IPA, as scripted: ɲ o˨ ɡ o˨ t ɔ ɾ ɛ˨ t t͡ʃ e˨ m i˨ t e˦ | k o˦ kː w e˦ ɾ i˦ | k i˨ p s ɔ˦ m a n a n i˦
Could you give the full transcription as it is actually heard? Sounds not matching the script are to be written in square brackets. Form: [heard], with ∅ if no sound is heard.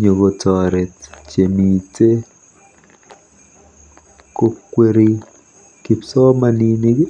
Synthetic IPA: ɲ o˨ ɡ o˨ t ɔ ɾ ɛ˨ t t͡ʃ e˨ m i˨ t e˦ | k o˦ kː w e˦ ɾ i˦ | k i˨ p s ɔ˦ m a n [i] n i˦